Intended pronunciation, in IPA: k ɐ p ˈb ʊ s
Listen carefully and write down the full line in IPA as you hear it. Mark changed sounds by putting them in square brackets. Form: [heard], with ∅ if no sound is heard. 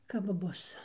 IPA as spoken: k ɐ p ˈb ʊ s